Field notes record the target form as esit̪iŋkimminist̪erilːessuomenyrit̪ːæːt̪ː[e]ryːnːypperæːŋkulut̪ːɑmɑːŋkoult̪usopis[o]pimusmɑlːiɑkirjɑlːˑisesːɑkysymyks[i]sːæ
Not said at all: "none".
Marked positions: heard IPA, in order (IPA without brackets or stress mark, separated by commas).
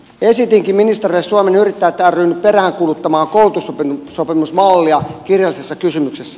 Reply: æ, o, e